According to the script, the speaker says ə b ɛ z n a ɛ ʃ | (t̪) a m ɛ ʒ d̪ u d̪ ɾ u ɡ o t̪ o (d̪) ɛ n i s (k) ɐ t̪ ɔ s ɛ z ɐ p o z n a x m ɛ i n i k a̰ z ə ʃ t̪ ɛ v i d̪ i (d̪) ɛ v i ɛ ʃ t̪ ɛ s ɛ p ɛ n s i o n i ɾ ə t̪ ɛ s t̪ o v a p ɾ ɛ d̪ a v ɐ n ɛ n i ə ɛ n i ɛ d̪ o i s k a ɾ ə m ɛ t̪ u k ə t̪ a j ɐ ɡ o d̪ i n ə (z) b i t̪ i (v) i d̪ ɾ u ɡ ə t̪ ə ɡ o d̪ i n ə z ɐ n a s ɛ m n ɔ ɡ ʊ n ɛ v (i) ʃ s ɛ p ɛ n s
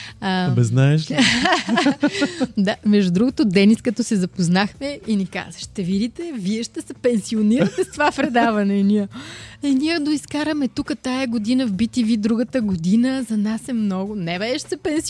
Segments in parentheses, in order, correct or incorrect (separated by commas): incorrect, correct, correct, incorrect, incorrect, correct, incorrect